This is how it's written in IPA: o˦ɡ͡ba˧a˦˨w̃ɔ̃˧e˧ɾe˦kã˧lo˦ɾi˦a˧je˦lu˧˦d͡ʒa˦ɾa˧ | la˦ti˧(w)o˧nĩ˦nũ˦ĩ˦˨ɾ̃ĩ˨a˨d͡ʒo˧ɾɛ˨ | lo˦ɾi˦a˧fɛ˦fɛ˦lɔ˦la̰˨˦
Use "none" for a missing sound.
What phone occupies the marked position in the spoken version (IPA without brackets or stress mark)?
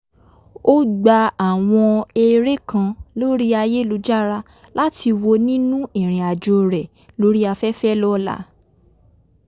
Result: w